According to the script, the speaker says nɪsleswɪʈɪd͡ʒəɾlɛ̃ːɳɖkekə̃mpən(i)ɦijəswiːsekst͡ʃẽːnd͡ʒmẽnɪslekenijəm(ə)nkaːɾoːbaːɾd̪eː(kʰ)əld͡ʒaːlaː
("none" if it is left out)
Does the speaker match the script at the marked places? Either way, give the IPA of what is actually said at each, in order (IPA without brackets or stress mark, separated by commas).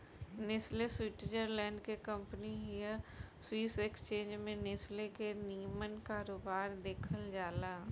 i, ə, kʰ